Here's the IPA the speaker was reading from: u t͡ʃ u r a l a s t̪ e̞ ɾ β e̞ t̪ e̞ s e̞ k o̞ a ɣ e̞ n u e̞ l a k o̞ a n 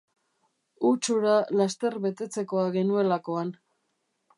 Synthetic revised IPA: u t͡ʃ u ɾ a l a s t̪ e̞ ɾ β e̞ t̪ e̞ t͡s e̞ k o̞ a ɣ e̞ n u e̞ l a k o̞ a n